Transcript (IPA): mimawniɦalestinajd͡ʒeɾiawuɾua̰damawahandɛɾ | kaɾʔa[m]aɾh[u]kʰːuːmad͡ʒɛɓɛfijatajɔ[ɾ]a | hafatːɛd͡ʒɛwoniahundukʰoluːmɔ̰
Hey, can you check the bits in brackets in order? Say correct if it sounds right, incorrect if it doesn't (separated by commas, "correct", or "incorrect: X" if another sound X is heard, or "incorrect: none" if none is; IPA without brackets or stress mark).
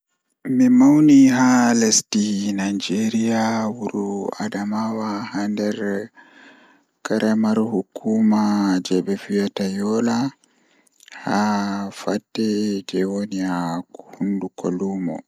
correct, correct, incorrect: l